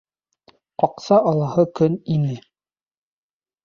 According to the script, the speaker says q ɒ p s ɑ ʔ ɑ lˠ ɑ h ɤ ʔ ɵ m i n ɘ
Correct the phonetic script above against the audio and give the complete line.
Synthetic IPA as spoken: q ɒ q s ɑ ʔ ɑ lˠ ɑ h ɤ k ɵ n i n ɘ

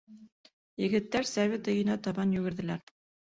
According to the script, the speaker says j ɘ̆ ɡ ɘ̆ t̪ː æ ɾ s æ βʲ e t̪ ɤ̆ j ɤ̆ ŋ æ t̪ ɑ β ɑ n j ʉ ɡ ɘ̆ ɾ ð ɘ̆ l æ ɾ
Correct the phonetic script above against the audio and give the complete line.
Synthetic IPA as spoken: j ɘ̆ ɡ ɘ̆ t̪ː æ ɾ s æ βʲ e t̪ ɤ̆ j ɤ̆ n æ t̪ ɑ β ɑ n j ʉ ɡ ɘ̆ ɾ ð ɘ̆ l æ ɾ

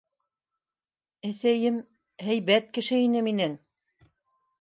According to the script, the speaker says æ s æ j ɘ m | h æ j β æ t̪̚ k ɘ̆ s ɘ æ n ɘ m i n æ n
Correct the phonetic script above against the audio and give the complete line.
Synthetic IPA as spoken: æ s æ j ɘ m | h æ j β æ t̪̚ k ɘ̆ ʃ ɘ i n ɘ m i n æ n

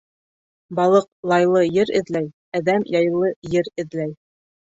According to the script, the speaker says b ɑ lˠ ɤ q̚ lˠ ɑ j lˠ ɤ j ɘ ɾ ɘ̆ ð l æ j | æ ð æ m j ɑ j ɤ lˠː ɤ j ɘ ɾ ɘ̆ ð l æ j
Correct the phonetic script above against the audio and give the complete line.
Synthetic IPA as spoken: b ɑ lˠ ɤ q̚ lˠ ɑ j lˠ ɤ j ɘ ɾ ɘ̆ ð l æ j | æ ð æ m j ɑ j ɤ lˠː ɤ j ɘ ɾ ɘ̆ ð l æ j

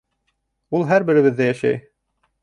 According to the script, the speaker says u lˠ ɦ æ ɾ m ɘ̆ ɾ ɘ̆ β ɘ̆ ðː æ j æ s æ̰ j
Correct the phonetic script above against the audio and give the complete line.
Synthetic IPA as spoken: u lˠ ɦ æ ɾ b ɘ̆ ɾ ɘ̆ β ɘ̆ ðː æ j æ ʃ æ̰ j

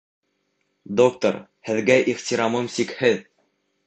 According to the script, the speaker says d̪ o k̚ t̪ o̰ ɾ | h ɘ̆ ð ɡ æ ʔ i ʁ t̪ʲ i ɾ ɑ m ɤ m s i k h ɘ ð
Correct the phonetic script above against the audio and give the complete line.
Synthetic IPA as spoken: d̪ o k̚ t̪ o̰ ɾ | h ɘ̆ ð ɡ æ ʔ i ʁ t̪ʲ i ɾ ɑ m ɤ m s i k h ɘ ð

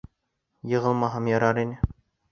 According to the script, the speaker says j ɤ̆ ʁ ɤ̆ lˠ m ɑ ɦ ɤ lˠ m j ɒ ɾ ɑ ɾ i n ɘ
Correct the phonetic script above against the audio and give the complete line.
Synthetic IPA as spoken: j ɤ̆ ʁ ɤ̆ lˠ m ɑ ɦ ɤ m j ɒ ɾ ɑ ɾ i n ɘ

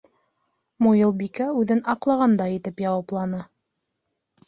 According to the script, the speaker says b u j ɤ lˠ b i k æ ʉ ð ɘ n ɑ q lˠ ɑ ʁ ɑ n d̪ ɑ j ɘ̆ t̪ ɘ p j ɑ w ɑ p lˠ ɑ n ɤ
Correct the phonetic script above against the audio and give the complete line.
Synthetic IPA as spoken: m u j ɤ lˠ b i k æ ʉ ð ɘ n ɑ q lˠ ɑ ʁ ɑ n d̪ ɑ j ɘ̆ t̪ ɘ p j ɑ w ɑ p lˠ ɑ n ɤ

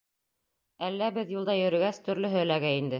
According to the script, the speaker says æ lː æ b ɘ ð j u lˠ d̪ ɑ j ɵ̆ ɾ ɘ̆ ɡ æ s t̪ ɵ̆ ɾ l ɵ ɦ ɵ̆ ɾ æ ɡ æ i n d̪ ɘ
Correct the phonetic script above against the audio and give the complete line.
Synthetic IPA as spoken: æ lː æ b ɘ ð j u lˠ d̪ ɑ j ɵ̆ ɾ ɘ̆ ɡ æ s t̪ ɵ̆ ɾ l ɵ ɦ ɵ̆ l æ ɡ æ i n d̪ ɘ

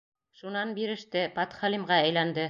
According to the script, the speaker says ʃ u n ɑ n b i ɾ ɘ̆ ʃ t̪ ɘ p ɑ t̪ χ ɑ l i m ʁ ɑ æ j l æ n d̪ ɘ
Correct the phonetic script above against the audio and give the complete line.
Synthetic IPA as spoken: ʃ u n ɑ n b i ɾ ɘ̆ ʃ t̪ ɘ p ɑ t̪ χ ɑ l i m ʁ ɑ æ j l æ n d̪ ɘ

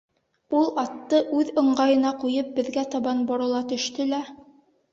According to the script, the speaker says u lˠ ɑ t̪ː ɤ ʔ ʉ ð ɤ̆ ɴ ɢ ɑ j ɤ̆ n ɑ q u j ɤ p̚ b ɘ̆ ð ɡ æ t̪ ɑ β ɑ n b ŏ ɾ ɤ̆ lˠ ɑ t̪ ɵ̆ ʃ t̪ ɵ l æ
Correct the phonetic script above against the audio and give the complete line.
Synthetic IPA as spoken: u lˠ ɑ t̪ː ɤ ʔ ʉ ð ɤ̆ ɴ ɢ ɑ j ɤ̆ n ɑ q u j ɤ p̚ b ɘ̆ ð ɡ æ t̪ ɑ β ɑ n b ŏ ɾ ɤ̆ lˠ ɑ t̪ ɵ̆ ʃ t̪ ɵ l æ

